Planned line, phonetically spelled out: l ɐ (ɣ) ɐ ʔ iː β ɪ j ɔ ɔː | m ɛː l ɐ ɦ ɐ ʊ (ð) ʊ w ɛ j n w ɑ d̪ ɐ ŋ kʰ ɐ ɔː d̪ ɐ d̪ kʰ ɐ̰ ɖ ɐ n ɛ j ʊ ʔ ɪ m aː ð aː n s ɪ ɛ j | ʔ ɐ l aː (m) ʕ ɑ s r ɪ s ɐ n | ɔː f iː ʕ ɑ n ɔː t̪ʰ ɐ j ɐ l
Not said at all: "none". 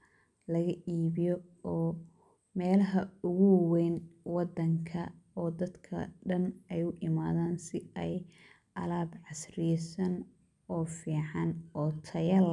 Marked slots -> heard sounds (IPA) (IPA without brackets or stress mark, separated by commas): ɣ, ɣ, b